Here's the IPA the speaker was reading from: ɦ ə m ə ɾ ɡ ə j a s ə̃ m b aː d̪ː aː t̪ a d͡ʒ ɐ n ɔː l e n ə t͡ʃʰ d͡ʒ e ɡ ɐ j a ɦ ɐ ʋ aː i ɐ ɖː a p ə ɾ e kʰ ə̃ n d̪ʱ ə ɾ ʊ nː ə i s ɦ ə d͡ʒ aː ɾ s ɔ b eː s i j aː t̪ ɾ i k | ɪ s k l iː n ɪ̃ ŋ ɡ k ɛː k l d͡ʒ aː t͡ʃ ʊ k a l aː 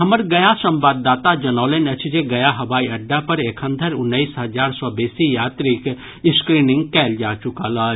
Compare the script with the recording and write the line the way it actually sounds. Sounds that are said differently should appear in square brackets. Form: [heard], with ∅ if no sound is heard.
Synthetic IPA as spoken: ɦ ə m ə ɾ ɡ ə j a s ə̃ m b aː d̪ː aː t̪ a d͡ʒ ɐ n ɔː l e n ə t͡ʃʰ d͡ʒ e ɡ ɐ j a ɦ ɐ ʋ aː i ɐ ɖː a p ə ɾ e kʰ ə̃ n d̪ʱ ə ɾ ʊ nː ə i s ɦ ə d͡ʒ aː ɾ s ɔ b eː s i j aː t̪ ɾ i k | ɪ s k [ɾ] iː n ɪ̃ ŋ ɡ k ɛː [∅] l d͡ʒ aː t͡ʃ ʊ k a l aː